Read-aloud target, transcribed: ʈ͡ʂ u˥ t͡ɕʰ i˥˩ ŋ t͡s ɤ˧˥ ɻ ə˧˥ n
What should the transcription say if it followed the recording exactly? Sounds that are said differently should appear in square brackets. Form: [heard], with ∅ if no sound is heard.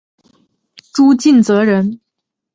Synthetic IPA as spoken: ʈ͡ʂ u˥ [t͡ɕ] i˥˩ [n] t͡s ɤ˧˥ ɻ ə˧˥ n